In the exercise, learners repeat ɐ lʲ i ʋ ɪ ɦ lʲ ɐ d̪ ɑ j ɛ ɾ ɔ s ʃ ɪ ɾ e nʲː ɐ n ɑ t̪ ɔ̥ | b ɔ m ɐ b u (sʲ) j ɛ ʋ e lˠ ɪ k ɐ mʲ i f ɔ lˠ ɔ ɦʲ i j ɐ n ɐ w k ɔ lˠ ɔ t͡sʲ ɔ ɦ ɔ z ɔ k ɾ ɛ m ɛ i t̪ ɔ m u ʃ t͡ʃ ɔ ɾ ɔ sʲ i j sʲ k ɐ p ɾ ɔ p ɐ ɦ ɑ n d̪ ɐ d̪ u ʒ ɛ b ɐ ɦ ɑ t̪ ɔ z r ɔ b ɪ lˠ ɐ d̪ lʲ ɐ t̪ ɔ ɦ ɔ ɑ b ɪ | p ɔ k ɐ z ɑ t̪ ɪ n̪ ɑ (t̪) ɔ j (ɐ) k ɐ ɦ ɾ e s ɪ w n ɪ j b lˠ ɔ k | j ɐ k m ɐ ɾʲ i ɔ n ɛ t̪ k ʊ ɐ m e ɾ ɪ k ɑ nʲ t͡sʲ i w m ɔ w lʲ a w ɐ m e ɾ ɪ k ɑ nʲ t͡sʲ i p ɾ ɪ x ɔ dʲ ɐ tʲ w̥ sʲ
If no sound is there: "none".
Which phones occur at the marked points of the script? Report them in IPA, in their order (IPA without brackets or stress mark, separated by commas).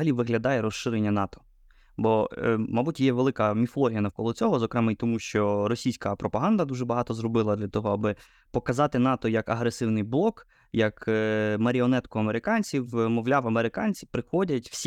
tʲ, t̪, ɐ